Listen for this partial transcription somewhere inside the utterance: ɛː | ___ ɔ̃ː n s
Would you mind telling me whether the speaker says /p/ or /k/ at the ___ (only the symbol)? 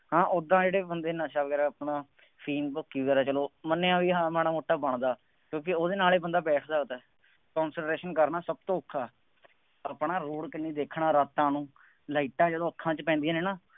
k